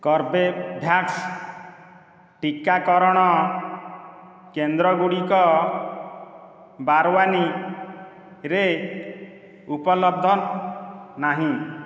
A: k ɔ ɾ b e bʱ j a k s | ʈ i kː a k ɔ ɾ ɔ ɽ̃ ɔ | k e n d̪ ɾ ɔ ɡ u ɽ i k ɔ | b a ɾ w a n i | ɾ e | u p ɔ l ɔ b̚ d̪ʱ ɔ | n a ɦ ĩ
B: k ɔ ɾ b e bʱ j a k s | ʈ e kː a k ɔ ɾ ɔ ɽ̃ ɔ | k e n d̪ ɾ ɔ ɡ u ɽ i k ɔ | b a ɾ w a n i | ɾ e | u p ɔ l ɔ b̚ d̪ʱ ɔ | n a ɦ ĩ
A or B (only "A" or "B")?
A